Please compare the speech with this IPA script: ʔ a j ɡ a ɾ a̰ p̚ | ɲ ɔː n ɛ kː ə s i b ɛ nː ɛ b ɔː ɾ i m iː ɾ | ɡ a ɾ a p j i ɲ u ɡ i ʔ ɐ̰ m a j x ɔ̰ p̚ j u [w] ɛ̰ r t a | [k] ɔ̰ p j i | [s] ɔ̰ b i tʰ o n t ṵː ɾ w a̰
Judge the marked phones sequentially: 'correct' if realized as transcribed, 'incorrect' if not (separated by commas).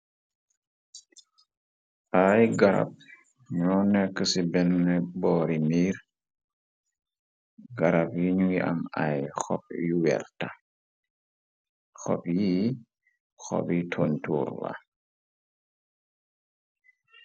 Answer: correct, incorrect, incorrect